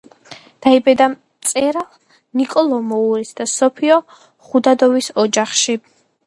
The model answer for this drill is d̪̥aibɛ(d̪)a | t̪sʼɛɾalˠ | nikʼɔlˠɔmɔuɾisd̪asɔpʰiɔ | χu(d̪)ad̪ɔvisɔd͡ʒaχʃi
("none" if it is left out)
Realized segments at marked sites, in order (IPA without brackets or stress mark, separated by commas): d̪, d̪